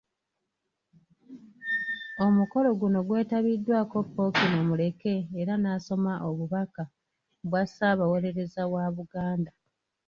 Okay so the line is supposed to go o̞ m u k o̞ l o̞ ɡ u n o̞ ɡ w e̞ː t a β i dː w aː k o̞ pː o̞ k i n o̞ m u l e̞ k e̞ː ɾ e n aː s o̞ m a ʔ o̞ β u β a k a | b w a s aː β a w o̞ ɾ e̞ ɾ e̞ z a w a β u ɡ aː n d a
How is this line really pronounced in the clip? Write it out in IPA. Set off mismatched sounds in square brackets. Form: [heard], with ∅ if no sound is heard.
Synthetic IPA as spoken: o̞ m u k o̞ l o̞ ɡ u n o̞ ɡ w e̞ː t a β i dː w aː k o̞ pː o̞ k i n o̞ m u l e̞ k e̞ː ɾ [a] n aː s o̞ m a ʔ o̞ β u β a k a | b w a s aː β a w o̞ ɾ e̞ ɾ e̞ z a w a β u ɡ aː n d a